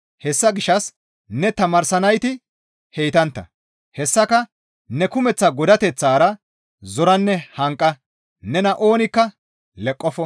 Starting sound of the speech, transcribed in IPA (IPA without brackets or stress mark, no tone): h